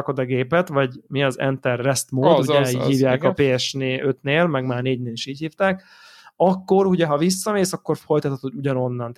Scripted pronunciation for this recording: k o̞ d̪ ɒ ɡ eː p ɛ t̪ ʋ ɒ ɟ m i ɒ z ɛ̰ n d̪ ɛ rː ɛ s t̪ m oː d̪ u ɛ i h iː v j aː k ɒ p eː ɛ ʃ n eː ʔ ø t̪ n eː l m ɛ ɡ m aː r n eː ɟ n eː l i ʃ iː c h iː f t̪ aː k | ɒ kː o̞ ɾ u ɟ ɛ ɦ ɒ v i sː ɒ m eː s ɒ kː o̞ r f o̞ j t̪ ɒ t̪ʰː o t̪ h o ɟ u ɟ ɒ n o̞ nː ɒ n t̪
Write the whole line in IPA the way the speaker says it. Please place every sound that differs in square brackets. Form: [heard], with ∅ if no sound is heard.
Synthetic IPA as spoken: k o̞ d̪ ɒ ɡ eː p ɛ t̪ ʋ ɒ ɟ m i ɒ z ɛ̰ n [t̪] ɛ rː ɛ s t̪ m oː d̪ u ɛ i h iː v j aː k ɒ p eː ɛ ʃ n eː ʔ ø t̪ n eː l m ɛ ɡ m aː r n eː ɟ n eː l i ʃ iː c h iː f t̪ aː k | ɒ kː o̞ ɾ u ɟ ɛ ɦ ɒ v i sː ɒ m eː s ɒ kː o̞ r f o̞ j t̪ ɒ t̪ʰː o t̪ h o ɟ u ɟ ɒ n o̞ nː ɒ n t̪